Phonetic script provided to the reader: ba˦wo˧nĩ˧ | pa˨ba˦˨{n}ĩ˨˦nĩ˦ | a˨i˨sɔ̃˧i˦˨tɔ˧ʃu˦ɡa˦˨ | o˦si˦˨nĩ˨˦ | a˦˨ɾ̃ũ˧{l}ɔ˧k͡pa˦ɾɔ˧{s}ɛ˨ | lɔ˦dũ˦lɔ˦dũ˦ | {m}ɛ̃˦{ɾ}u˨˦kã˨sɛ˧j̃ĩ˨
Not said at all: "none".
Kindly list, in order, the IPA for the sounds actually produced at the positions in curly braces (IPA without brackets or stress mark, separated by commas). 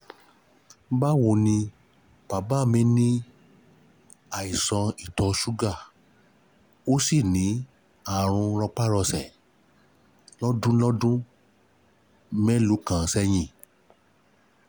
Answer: m, ɾ, s, m, l